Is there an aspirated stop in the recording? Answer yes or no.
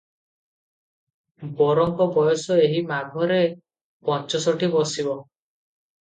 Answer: no